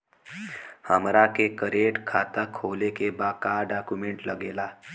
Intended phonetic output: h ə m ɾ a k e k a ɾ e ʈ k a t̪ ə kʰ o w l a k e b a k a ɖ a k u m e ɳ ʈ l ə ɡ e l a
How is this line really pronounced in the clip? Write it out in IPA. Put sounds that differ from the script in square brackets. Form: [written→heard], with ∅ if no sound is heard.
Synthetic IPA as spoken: h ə m ɾ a k e k [a→ə] ɾ e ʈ [k→kʰ] a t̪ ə kʰ o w l [a→e] k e b a k a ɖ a k u m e ɳ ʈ l ə ɡ e l a

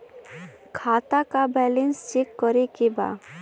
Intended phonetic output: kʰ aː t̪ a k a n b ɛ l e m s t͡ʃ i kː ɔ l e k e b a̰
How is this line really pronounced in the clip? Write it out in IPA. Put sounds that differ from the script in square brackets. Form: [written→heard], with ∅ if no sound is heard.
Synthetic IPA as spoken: kʰ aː t̪ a k a [n→∅] b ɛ l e [m→n] s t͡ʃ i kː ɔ [l→ɾ] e k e b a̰

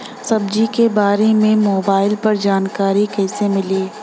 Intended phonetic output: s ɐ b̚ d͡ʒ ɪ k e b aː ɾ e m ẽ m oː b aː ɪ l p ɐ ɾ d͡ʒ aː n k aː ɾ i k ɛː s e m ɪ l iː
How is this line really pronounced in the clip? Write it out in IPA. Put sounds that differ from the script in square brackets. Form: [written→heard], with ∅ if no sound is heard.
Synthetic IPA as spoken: s ɐ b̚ d͡ʒ [ɪ→i] k e b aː ɾ e m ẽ m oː b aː ɪ l p ɐ ɾ d͡ʒ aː n k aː ɾ i k ɛː s e m ɪ l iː

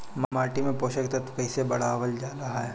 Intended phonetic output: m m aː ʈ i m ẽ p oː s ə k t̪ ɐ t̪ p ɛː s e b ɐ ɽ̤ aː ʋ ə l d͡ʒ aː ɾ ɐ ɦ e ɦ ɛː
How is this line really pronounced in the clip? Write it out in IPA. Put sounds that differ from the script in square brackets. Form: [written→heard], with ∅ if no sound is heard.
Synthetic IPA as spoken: m m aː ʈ i m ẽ p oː [s→ʃ] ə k t̪ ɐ t̪ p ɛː s e b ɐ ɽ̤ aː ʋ ə l d͡ʒ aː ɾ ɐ ɦ [e→a] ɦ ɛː

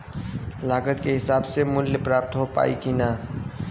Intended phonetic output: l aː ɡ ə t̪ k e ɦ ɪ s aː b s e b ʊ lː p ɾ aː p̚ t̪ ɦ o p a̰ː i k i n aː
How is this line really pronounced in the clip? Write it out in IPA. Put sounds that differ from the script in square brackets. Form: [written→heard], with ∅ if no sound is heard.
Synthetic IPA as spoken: l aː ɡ ə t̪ k e ɦ ɪ s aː b s e [b→m] ʊ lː p ɾ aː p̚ t̪ ɦ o p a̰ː i k i n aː

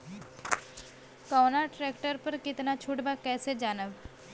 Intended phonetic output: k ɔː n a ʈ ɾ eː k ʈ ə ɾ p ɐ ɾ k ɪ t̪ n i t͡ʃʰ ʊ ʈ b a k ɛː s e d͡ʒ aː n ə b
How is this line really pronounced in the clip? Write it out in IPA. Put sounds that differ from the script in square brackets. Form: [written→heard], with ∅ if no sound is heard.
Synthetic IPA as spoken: k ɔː n a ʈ ɾ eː k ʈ ə ɾ p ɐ ɾ k ɪ t̪ n [i→a] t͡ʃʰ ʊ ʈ b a k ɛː s e d͡ʒ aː n ə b

